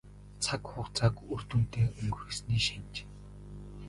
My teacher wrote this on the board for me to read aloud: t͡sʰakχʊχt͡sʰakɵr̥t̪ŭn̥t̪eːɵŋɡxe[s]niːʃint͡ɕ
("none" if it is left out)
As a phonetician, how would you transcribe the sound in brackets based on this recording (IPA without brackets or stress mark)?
s